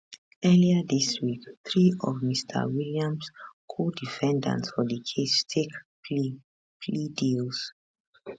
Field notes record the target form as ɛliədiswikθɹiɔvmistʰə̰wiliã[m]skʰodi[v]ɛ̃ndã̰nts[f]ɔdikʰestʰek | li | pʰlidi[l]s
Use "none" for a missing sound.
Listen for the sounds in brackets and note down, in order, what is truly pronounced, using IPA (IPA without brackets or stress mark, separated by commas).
m, f, f, l